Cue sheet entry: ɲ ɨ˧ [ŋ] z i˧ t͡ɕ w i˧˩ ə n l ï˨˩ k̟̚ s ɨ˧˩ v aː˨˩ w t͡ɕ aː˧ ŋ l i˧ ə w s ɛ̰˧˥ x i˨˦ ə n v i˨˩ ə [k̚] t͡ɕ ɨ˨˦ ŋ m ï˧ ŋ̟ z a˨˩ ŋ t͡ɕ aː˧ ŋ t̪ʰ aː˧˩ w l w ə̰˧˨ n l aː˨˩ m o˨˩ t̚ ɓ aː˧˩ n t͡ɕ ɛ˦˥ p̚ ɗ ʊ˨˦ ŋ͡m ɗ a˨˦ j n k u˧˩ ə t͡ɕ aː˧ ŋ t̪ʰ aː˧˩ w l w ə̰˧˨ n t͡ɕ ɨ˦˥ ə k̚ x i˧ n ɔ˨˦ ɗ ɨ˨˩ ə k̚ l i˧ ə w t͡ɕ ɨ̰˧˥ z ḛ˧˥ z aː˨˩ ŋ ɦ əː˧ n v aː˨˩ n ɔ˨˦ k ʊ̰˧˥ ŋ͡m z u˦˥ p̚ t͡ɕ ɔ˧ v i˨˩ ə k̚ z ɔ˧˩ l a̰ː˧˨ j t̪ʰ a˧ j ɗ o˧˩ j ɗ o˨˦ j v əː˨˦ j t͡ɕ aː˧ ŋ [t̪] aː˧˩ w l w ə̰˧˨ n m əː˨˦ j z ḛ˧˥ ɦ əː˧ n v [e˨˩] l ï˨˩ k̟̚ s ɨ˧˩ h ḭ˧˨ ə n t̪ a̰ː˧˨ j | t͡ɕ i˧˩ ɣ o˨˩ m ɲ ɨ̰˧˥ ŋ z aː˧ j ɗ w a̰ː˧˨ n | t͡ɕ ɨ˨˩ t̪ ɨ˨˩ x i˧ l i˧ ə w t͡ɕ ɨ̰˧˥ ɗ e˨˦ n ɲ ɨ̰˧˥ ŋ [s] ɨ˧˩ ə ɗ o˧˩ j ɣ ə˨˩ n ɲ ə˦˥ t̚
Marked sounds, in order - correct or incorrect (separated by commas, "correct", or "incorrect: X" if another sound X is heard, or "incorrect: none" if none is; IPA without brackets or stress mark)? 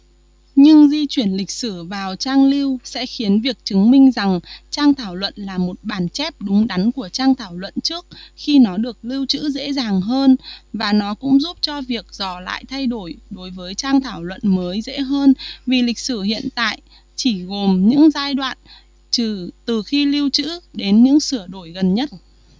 correct, correct, incorrect: t̪ʰ, incorrect: i˨˩, correct